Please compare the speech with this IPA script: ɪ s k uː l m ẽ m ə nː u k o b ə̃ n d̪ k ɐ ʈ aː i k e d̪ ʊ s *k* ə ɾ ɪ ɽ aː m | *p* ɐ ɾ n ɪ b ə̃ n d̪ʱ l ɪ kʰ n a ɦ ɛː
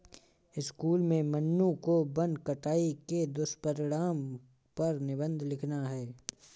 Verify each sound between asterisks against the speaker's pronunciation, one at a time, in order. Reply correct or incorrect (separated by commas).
incorrect, correct